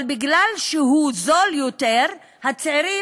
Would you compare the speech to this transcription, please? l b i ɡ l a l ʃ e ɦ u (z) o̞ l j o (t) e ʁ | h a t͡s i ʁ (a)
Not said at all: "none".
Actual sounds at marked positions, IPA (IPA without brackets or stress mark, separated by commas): z, t, i